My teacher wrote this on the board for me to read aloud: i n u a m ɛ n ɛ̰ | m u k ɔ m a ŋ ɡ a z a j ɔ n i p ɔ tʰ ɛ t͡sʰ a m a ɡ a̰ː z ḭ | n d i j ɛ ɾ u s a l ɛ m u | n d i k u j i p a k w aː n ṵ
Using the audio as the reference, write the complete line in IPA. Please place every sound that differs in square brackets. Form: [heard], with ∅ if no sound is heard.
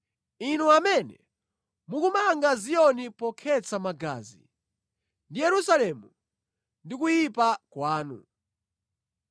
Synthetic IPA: i n u a m ɛ n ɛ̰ | m u k [u] m a ŋ ɡ a z [i] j ɔ n i p ɔ [kʰ] ɛ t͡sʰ a m a ɡ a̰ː z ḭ | n d i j ɛ ɾ u s a l ɛ m u | n d i k u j i p a k w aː n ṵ